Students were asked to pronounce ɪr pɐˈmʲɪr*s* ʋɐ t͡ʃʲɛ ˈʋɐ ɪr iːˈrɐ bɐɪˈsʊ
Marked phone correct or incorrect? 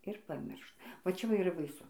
incorrect